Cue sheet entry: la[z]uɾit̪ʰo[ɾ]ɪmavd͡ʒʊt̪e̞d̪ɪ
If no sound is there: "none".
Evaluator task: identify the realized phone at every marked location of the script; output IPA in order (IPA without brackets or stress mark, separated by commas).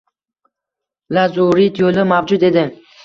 z, l